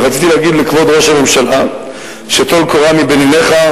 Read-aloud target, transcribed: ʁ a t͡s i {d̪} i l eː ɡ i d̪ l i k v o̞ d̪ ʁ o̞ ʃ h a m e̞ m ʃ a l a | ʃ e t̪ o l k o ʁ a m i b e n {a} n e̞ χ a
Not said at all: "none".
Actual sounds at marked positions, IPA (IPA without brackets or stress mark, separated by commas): t̪, i